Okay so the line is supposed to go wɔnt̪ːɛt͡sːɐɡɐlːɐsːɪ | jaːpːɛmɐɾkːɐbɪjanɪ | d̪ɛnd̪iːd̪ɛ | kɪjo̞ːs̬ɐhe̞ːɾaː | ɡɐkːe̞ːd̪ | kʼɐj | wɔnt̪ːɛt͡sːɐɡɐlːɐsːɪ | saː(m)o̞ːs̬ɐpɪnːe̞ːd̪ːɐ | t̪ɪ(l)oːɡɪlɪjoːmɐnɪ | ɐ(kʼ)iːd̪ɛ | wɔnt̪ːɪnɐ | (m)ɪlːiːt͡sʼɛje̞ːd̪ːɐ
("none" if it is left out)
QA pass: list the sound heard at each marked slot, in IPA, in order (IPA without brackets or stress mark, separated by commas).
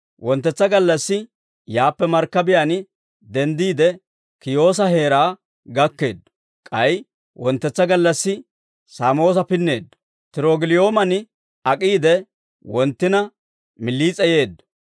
m, ɾ, kʼ, m